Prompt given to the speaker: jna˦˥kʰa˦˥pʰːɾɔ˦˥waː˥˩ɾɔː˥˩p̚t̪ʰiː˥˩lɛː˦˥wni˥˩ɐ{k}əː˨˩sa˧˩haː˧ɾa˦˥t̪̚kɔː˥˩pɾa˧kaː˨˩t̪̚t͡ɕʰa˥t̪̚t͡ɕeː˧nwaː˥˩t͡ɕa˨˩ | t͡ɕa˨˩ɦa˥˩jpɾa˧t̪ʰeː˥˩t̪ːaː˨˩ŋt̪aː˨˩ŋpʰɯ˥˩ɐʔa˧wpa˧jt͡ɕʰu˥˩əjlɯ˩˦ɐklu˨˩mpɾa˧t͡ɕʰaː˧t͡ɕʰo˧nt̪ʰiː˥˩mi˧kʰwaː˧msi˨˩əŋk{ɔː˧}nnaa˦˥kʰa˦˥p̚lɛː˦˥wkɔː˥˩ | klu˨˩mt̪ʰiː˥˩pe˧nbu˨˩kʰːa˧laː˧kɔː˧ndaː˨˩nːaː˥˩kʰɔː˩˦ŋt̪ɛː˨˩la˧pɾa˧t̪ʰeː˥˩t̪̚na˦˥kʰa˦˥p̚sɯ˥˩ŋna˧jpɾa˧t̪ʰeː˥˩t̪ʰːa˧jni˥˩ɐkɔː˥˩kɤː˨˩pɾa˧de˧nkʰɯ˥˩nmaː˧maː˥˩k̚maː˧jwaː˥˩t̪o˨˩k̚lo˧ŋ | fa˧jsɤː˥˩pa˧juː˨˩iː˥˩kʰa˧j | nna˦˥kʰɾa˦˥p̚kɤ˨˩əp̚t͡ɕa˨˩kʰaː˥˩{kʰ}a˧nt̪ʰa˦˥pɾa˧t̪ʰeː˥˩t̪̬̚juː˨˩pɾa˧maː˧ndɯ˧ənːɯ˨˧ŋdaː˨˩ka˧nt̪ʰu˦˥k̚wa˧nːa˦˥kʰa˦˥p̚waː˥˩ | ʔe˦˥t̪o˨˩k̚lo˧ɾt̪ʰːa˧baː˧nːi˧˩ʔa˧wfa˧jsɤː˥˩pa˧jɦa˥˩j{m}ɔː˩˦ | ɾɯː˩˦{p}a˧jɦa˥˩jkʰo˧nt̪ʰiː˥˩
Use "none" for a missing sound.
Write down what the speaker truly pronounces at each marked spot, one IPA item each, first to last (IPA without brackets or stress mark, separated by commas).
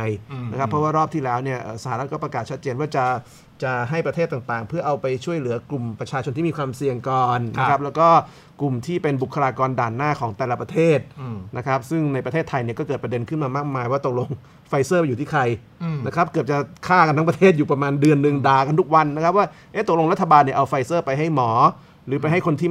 ʔ, ɔː˨˩, k, m, p